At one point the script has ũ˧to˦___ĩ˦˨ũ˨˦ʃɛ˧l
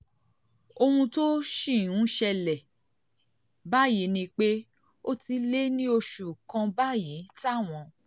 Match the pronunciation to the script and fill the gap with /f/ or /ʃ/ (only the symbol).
ʃ